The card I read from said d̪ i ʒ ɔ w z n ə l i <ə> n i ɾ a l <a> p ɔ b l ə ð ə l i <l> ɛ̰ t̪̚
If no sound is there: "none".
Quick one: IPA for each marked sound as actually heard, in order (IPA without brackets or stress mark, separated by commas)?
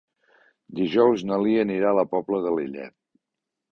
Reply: ə, ə, ʎ